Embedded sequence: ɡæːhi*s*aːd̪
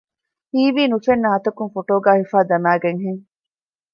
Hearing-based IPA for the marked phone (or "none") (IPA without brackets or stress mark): f